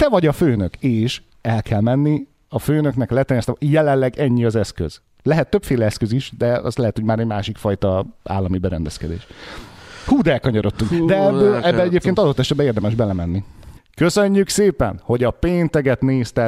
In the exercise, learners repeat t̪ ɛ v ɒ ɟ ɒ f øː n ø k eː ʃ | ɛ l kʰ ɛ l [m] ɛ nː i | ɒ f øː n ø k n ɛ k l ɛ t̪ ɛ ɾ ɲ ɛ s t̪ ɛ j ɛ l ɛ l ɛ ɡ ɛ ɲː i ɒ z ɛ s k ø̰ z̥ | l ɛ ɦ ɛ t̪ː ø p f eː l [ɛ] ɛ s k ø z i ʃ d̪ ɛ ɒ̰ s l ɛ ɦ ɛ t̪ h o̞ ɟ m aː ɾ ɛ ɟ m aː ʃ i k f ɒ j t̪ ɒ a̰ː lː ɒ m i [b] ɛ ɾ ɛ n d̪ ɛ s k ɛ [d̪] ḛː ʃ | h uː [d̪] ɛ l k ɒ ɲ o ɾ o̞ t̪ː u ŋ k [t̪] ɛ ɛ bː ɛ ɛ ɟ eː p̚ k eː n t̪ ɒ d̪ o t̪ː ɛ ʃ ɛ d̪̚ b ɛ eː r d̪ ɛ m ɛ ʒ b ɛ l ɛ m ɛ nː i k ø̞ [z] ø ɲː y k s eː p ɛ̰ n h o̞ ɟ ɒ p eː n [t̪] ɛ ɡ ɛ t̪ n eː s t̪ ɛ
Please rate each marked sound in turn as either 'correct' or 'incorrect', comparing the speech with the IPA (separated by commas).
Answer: correct, correct, correct, correct, correct, incorrect, incorrect, correct